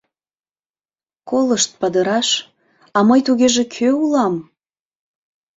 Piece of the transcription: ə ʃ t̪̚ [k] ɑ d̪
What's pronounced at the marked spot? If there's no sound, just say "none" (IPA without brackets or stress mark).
p